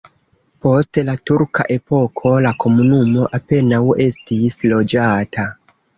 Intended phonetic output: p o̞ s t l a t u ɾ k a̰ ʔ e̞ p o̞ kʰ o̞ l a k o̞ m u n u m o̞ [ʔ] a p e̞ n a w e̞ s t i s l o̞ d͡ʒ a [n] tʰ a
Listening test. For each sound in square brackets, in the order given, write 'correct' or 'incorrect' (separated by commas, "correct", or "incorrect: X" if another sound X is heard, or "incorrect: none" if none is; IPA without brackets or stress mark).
correct, incorrect: none